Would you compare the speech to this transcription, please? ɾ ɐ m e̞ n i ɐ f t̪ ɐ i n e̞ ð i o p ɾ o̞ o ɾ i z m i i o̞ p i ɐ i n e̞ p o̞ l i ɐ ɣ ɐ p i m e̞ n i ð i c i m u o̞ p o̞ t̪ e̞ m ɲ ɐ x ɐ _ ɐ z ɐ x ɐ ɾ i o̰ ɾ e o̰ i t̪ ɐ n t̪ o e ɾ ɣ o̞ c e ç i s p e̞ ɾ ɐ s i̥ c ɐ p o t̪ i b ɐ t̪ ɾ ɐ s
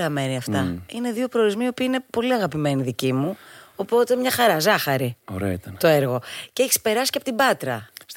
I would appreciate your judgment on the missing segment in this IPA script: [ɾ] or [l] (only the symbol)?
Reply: ɾ